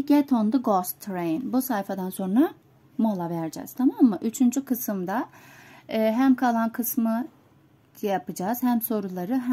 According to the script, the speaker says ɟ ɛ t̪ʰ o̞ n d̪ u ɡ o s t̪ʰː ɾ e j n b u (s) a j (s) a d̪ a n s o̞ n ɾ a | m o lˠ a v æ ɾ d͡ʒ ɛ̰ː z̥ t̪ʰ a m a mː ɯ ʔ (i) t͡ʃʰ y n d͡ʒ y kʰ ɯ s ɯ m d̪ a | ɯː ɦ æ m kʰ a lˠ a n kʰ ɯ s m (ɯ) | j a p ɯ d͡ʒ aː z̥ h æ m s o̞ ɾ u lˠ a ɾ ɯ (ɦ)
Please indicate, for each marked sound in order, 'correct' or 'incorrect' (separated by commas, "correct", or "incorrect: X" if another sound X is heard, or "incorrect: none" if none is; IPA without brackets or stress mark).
correct, incorrect: f, incorrect: y, correct, correct